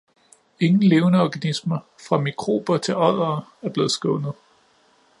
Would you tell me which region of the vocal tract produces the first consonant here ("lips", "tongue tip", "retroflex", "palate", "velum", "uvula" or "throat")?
velum